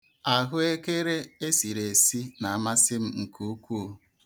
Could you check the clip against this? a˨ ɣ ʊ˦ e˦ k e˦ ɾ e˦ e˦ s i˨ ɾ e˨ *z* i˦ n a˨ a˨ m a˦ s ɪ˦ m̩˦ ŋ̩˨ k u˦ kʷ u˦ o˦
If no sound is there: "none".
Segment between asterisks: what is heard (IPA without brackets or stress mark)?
s